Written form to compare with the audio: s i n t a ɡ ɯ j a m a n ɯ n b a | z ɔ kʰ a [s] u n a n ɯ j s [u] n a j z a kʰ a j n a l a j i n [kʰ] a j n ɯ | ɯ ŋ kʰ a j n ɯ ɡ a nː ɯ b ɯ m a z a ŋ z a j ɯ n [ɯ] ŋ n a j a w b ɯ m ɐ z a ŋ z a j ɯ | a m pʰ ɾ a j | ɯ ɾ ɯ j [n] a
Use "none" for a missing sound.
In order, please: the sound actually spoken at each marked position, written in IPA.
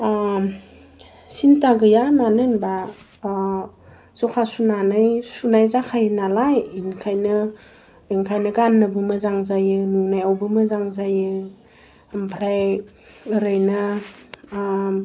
s, u, kʰ, u, n

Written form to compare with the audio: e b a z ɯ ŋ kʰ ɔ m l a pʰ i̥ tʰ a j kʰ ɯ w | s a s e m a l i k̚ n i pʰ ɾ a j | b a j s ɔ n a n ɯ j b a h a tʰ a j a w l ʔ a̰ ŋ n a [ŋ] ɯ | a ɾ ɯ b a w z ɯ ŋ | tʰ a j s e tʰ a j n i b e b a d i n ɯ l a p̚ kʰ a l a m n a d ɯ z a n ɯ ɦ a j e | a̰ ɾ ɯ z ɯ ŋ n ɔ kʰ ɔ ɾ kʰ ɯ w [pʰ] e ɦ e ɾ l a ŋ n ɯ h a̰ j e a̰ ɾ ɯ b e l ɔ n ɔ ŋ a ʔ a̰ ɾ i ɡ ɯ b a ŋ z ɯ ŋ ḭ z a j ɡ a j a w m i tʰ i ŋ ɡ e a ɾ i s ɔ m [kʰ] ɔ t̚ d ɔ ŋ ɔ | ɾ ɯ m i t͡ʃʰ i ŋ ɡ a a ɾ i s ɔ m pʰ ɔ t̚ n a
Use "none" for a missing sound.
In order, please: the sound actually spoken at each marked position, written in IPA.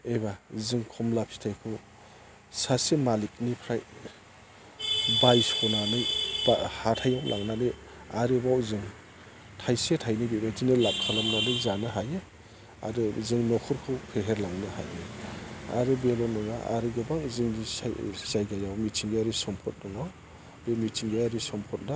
n, pʰ, pʰ

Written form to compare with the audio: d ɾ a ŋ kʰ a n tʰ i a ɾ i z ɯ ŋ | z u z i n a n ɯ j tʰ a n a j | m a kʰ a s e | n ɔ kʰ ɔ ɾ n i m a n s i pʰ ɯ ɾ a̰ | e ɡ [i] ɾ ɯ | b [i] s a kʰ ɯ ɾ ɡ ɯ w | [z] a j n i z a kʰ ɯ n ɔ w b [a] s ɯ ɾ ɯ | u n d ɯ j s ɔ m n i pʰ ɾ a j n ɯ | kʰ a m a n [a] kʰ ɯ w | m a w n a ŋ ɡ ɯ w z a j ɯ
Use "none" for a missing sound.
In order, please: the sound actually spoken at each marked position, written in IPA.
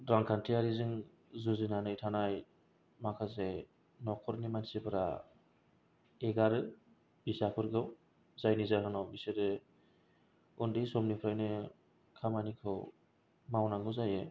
a, i, z, i, i

